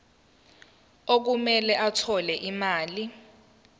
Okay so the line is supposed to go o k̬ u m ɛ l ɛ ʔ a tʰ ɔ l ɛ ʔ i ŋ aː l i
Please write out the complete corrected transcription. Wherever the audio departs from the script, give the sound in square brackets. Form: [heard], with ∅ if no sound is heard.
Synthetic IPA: o k̬ u m ɛ l ɛ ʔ a tʰ ɔ l ɛ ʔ i [m] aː l i